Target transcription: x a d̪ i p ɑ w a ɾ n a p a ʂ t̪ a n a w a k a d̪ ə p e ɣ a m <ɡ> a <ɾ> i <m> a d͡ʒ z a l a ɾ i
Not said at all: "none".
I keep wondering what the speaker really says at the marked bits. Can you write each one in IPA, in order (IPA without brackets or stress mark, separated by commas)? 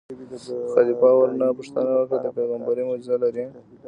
b, ɾ, m